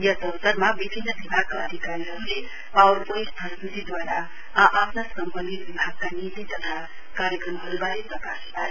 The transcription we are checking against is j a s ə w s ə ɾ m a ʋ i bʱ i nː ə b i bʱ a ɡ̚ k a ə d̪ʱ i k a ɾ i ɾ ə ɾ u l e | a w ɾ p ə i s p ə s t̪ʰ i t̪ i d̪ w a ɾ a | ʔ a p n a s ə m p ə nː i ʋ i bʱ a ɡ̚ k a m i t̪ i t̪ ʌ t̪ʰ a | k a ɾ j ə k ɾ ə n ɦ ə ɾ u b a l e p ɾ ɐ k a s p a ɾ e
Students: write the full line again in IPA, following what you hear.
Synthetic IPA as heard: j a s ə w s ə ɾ m a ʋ i bʱ i nː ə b i bʱ a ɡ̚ k a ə d̪ʱ i k a ɾ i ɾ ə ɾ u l e | a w ɾ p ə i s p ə s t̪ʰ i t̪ i d̪ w a ɾ a | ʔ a p n a s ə m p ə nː i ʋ i bʱ a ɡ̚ k a n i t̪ i t̪ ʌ t̪ʰ a | k a ɾ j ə k ɾ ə m ɦ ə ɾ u b a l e p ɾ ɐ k a s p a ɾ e